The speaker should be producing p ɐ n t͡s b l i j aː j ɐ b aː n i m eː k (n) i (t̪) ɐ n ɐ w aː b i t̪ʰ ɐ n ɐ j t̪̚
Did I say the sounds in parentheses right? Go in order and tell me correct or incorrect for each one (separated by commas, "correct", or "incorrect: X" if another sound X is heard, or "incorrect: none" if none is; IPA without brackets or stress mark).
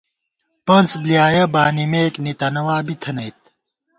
correct, correct